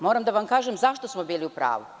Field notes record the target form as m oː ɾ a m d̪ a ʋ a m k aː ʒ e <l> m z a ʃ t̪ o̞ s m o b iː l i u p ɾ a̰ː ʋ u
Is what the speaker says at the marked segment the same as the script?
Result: no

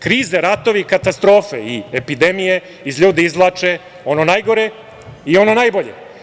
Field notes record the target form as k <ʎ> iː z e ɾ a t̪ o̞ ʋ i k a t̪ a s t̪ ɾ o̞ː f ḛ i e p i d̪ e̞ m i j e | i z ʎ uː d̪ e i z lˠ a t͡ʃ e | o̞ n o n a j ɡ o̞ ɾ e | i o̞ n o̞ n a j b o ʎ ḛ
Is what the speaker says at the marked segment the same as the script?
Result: no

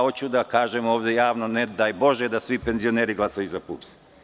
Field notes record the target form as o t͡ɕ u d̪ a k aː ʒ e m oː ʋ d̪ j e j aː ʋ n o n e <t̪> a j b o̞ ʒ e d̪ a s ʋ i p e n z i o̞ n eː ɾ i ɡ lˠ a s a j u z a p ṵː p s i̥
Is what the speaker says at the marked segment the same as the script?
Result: no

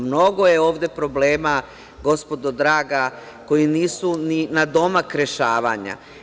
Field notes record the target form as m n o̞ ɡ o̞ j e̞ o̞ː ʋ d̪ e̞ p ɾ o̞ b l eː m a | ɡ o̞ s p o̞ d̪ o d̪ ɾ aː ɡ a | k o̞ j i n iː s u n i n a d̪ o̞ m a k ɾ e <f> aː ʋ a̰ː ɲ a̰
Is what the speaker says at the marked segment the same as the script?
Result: no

